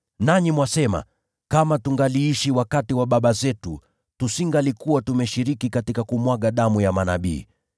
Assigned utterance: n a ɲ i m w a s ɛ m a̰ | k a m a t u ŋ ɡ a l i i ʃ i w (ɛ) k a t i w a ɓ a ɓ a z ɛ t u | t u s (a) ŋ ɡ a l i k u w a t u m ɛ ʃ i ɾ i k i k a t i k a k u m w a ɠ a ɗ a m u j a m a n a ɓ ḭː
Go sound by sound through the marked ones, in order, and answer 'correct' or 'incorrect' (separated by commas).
incorrect, incorrect